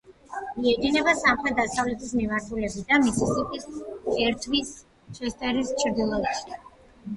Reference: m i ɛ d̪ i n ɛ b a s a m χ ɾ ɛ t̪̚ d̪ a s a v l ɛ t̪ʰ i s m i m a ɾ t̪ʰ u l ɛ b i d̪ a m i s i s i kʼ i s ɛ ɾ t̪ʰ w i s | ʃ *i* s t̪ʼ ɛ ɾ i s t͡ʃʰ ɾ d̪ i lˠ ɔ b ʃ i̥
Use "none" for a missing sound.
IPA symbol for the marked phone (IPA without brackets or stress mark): ɛ